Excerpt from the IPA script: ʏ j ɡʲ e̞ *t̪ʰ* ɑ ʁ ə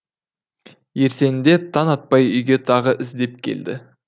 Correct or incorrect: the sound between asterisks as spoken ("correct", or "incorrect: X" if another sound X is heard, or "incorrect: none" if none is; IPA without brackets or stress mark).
correct